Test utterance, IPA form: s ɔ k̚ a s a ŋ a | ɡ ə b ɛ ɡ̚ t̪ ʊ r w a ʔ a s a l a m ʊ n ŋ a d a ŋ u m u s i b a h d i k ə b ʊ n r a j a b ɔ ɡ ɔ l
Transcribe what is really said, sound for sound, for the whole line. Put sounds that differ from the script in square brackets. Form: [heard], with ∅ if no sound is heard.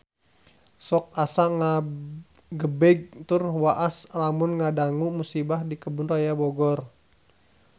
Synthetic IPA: s ɔ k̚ a s a ŋ a | ɡ ə b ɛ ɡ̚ t̪ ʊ r w a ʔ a s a l a m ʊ n ŋ a d a ŋ u m u s i b a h d i k ə b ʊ n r a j a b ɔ ɡ ɔ [r]